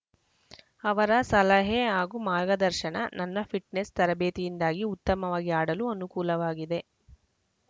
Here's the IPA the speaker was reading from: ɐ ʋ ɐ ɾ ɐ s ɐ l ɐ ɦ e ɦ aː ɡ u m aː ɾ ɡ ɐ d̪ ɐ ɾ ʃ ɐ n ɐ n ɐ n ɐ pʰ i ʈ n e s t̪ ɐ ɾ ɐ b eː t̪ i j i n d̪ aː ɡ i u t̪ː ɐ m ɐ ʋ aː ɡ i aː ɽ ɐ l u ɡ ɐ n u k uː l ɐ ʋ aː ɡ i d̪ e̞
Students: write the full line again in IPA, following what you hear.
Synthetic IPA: ɐ ʋ ɐ ɾ ɐ s ɐ l ɐ ɦ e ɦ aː ɡ u m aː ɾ ɡ ɐ d̪ ɐ ɾ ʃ ɐ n ɐ n ɐ nː ɐ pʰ i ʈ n e s t̪ ɐ ɾ ɐ b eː t̪ i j i n d̪ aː ɡ i u t̪ː ɐ m ɐ ʋ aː ɡ i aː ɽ ɐ l u ɐ n u k uː l ɐ ʋ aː ɡ i d̪ e̞